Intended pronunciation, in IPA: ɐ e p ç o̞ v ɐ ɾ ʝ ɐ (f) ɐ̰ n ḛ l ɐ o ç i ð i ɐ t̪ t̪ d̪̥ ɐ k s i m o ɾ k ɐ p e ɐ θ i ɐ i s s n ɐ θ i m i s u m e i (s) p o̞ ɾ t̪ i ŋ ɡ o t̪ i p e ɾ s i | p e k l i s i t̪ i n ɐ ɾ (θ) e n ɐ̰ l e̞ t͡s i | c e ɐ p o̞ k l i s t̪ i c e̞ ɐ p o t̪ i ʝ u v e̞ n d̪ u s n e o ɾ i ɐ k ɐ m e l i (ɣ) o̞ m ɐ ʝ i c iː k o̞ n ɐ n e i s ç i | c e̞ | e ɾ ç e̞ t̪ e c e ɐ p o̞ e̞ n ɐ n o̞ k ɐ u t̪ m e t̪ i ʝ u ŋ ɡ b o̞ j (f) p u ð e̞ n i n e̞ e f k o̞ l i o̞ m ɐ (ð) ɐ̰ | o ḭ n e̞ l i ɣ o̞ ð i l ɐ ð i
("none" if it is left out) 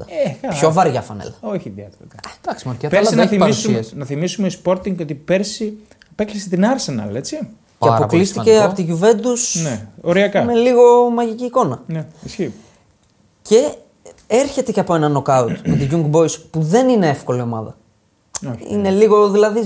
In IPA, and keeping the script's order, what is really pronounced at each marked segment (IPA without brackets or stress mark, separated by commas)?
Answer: f, s, s, ɣ, s, ð